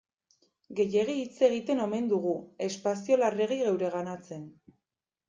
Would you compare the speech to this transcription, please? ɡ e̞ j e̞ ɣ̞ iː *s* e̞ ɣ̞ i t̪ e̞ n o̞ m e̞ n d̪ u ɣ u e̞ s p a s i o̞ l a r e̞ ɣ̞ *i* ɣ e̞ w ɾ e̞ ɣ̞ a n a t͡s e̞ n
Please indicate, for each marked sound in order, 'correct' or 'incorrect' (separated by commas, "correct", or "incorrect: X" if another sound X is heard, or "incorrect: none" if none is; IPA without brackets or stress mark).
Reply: incorrect: t͡s, correct